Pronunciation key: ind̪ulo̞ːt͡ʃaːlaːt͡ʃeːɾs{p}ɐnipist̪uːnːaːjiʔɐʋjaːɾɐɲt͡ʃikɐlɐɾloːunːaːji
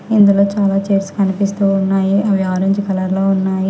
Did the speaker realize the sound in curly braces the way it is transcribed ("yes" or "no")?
no